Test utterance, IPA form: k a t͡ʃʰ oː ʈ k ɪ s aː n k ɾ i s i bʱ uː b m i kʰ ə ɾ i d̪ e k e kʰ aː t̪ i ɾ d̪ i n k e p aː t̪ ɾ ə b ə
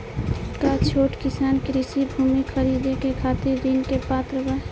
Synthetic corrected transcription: k a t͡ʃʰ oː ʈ k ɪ s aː n k ɾ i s i bʱ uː m i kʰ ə ɾ i d̪ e k e kʰ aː t̪ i ɾ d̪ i n k e p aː t̪ ɾ ə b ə